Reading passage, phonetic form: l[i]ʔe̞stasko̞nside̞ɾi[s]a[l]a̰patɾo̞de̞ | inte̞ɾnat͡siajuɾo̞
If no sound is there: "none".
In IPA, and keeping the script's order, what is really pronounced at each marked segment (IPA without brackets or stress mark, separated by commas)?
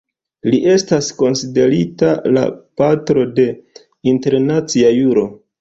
i, t, l